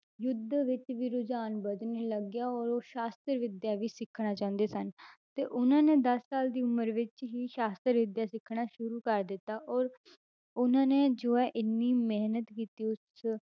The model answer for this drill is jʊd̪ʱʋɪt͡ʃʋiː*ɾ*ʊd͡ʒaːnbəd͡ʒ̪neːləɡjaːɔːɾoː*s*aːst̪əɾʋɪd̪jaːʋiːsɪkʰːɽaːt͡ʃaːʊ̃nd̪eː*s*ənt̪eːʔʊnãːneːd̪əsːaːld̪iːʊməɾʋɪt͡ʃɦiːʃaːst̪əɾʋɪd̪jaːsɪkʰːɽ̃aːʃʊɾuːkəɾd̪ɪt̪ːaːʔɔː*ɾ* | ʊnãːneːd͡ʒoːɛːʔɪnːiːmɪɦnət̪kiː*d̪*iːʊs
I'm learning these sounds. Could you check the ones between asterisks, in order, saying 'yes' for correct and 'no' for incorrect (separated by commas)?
yes, no, yes, yes, no